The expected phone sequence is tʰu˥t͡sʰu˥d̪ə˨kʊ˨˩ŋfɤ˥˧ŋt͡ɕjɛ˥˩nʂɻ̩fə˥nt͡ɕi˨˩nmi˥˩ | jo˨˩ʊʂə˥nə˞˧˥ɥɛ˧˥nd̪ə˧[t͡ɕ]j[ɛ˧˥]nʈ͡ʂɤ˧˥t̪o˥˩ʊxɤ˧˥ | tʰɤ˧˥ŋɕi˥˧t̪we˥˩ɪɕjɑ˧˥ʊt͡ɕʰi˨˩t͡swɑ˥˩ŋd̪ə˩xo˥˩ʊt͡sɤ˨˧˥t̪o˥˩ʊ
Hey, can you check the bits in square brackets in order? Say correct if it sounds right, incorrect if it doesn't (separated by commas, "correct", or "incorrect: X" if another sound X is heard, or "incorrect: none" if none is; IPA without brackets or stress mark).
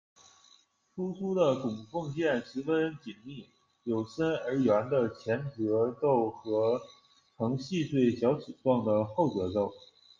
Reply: incorrect: t͡ɕʰ, correct